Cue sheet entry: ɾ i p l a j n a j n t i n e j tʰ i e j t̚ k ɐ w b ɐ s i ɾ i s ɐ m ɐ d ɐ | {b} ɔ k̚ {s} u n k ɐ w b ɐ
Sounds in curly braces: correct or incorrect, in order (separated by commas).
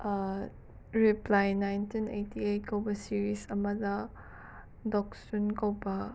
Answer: incorrect, correct